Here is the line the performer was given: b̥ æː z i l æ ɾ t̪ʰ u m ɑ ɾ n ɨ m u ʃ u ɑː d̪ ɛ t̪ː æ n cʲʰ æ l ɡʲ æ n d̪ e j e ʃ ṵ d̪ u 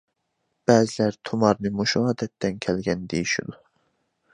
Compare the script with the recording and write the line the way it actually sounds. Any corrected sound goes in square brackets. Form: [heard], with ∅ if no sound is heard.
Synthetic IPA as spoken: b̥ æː z i l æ ɾ t̪ʰ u m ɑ ɾ n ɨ m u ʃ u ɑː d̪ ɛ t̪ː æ n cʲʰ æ l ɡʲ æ n d̪ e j [i] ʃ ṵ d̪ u